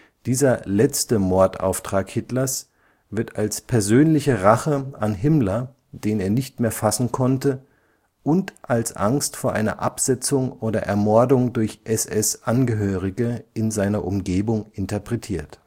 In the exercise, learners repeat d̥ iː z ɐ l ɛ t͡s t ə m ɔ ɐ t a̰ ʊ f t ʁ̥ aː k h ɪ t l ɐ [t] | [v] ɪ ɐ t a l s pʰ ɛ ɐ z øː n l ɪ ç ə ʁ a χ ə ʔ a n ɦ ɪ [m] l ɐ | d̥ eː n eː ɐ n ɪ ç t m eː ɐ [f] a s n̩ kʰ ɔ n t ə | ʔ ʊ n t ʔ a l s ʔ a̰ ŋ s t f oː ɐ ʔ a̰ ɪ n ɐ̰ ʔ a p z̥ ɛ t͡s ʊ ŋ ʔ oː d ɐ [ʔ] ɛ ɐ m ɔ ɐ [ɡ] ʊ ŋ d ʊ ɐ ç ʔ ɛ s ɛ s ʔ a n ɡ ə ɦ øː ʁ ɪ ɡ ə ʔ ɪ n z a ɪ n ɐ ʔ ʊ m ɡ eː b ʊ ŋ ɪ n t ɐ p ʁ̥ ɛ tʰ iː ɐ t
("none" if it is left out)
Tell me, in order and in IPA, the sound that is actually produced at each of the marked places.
s, v, m, f, ʔ, d

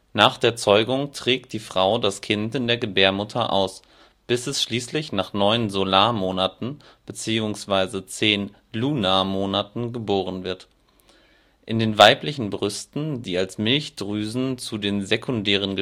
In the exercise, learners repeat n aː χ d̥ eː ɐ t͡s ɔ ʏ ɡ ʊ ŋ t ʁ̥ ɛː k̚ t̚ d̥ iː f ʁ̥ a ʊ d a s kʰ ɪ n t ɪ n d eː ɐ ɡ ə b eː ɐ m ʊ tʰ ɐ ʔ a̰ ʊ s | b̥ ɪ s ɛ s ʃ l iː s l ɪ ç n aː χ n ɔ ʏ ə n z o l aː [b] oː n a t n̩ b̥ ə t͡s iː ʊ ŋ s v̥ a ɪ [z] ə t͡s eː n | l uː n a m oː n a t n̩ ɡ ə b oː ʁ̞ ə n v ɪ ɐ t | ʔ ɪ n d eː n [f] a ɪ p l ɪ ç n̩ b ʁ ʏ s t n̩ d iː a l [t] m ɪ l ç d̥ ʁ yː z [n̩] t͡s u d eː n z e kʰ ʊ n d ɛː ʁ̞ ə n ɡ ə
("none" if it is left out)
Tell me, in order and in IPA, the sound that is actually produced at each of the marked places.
m, z, v, s, n̩

